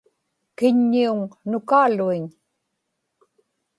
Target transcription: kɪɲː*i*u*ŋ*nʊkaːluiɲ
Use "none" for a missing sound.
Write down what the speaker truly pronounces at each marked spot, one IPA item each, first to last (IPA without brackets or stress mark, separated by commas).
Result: i, ŋ